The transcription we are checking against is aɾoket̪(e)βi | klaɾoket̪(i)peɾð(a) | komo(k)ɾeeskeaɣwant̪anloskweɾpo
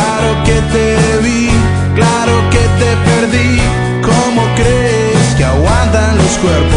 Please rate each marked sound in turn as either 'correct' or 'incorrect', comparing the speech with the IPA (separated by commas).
correct, incorrect, incorrect, correct